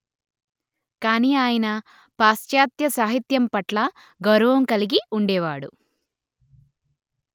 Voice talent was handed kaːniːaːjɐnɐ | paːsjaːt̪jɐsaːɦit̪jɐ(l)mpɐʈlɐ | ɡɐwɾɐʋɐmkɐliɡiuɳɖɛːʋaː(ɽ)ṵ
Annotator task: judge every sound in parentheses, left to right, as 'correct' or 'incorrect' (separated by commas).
incorrect, correct